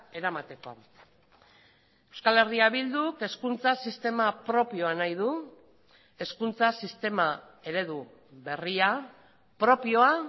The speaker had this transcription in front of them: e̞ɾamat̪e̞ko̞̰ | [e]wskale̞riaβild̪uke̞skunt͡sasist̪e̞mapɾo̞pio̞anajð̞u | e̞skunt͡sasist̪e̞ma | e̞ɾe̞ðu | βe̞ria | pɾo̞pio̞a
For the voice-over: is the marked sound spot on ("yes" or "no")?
yes